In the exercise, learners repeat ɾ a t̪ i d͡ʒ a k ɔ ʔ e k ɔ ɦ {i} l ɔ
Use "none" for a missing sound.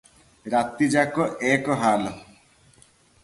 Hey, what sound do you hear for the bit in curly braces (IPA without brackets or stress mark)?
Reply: a